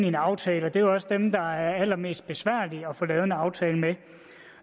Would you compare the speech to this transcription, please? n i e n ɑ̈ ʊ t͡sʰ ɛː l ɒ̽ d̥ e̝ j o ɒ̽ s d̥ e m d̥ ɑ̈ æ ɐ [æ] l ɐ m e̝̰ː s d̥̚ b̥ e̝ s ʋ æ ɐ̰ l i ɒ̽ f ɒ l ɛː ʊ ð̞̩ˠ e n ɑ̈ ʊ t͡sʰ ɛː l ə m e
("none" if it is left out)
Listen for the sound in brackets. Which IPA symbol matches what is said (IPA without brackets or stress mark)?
æ